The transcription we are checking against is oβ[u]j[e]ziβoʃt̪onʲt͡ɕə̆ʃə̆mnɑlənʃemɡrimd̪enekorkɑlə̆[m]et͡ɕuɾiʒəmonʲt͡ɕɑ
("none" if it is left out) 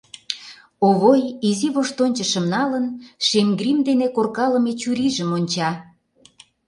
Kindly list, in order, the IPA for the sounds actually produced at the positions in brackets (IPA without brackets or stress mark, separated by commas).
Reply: o, i, m